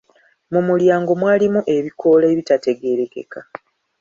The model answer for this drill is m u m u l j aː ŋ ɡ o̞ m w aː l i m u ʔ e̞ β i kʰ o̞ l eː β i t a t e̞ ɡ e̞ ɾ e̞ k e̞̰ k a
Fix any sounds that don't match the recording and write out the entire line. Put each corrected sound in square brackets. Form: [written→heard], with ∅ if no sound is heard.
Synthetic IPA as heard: m u m u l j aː ŋ ɡ o̞ m w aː l i m u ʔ e̞ β i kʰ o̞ l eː β i t a t e̞ ɡ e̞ ɾ e̞ k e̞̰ k a